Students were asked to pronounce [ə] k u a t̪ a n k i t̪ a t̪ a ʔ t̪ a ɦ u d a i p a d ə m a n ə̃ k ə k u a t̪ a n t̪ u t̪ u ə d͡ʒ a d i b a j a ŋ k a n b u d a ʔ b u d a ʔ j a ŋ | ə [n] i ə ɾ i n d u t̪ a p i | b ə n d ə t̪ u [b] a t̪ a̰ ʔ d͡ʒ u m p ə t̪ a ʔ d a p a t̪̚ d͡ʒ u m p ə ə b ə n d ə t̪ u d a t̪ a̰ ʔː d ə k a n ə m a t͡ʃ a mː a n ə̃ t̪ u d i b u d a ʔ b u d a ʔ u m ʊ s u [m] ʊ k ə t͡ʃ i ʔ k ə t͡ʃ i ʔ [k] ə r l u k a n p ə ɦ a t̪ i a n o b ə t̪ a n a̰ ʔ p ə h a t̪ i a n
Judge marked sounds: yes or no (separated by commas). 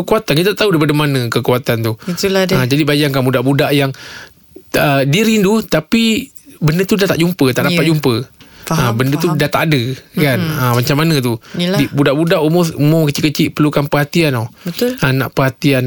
yes, no, no, yes, no